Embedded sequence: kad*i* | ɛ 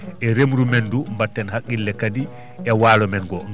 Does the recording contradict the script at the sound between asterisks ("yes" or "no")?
no